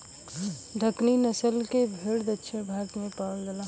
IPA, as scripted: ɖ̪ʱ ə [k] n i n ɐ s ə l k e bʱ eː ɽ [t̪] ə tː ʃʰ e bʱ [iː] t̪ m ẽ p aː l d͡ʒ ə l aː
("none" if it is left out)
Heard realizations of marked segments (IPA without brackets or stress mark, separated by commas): k, d̪, aː